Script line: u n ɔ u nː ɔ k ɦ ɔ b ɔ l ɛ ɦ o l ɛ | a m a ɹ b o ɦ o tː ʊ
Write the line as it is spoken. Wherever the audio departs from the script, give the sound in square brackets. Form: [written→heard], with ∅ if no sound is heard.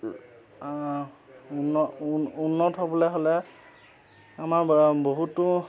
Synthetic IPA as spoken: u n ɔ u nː ɔ [k→t] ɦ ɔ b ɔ l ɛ ɦ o l ɛ | a m a ɹ b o ɦ [o→u] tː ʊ

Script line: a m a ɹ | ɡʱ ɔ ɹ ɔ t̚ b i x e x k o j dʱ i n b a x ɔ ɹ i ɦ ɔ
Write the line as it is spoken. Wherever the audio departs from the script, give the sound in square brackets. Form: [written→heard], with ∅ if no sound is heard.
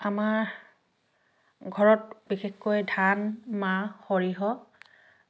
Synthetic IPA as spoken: a m a ɹ | ɡʱ ɔ ɹ ɔ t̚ b i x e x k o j dʱ [i→a] n [b→m] a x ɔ ɹ i ɦ ɔ

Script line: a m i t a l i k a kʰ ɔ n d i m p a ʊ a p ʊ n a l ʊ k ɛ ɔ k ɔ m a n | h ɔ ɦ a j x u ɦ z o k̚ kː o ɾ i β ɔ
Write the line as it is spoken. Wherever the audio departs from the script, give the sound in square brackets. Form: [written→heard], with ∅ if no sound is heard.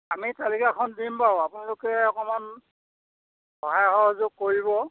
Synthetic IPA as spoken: a m i t a l i k a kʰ ɔ n d i m p a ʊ a p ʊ n a l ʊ k ɛ ɔ k ɔ m a n | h ɔ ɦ a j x [u→ɔ] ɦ z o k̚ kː o [ɾ→ɹ] i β ɔ

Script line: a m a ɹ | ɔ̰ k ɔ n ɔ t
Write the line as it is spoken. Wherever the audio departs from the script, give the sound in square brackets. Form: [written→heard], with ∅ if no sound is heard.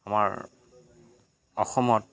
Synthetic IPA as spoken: a m a ɹ | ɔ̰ [k→x] ɔ [n→m] ɔ t

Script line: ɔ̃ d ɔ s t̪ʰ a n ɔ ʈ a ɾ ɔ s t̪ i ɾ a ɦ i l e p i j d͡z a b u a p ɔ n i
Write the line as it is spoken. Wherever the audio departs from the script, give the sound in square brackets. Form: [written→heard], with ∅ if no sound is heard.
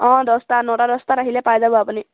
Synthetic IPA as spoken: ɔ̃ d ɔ s [t̪ʰ→t̪] a n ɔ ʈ a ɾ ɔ s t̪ [i→a] ɾ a ɦ i l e p [i→a] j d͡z a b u a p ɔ n i

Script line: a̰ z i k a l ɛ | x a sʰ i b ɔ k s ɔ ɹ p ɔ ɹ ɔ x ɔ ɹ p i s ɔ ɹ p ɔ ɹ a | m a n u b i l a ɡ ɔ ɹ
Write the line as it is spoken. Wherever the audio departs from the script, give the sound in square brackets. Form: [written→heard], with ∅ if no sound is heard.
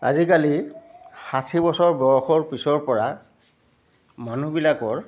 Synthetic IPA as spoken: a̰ z i k a l [ɛ→i] | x a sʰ i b ɔ [k→∅] s ɔ ɹ [p→b] ɔ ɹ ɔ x ɔ ɹ p i s ɔ ɹ p ɔ ɹ a | m a n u b i l a [ɡ→k] ɔ ɹ

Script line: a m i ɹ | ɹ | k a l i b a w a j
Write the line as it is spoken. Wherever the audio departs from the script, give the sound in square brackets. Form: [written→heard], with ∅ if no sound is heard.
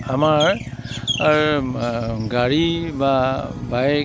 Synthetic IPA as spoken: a m [i→a] ɹ | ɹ | [k→ɡ] a [l→ɹ] i b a [w→b] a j

